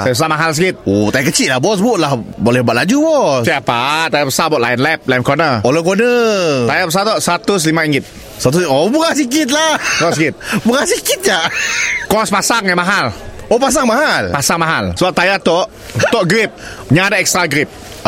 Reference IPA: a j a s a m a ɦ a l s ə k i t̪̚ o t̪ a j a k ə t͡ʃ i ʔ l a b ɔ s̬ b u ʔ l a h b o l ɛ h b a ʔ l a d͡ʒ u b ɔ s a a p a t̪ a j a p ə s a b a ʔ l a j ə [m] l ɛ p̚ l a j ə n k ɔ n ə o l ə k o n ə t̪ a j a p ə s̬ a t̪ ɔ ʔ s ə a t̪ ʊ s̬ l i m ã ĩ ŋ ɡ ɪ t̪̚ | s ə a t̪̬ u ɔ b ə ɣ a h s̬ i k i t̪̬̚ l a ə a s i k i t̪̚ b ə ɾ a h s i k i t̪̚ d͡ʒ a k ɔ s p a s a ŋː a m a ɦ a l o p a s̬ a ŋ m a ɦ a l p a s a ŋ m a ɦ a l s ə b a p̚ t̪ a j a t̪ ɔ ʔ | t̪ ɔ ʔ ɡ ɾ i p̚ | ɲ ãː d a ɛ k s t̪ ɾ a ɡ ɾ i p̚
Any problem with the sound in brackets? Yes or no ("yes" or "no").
yes